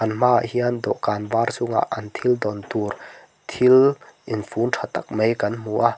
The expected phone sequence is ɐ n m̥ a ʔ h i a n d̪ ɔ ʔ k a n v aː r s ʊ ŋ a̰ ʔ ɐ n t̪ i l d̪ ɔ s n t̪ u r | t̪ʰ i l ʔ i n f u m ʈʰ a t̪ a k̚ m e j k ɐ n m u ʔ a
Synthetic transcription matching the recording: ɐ n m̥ a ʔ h i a n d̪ ɔ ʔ k a n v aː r s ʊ ŋ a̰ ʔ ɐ n t̪ʰ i l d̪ ɔ n t̪ u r | t̪ʰ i l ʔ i n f u n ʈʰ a t̪ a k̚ m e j k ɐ n m u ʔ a